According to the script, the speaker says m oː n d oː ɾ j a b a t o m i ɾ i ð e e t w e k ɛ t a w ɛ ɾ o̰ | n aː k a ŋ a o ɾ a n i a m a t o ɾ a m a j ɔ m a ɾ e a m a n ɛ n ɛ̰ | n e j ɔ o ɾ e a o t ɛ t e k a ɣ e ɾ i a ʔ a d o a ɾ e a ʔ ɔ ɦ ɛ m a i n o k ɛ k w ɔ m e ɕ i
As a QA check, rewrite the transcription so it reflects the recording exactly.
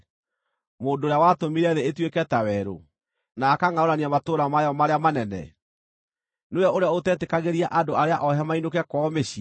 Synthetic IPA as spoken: m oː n d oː ɾ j a w a t o m i ɾ ɛ ð e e t w e k ɛ t a w ɛ ɾ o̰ | n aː k a ŋ a o ɾ a n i a m a t o ɾ a m a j ɔ m a ɾ e a m a n ɛ n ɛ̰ | n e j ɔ o ɾ e a o t ɛ t e k a ɣ e ɾ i a ʔ a d o a ɾ e a ʔ ɔ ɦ ɛ m a i n o k ɛ k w ɔ m e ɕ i